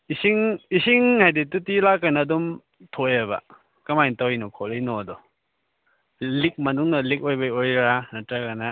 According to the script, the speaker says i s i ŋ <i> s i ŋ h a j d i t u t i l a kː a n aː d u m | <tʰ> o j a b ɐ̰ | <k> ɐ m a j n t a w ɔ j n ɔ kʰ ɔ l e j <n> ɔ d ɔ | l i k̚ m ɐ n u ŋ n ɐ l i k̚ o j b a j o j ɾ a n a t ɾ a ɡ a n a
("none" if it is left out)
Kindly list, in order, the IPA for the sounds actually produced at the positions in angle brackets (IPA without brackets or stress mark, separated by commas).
i, tʰ, k, n